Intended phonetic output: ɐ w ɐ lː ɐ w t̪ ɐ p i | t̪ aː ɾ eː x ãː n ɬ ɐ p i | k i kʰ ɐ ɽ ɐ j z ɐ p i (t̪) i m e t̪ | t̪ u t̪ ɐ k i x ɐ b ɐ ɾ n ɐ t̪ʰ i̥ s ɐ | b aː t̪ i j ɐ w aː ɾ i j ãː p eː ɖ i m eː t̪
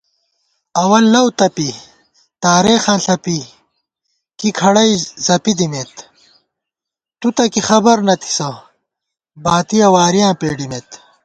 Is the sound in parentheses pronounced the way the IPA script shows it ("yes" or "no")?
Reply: no